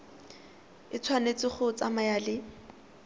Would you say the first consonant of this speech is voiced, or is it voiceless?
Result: voiceless